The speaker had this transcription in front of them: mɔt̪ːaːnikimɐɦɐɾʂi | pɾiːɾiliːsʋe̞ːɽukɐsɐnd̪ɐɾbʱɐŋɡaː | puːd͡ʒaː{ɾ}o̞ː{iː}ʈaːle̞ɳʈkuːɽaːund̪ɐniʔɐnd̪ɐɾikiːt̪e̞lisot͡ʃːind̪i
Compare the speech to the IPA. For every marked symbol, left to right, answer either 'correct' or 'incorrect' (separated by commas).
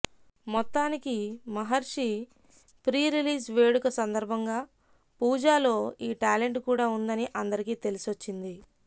incorrect, correct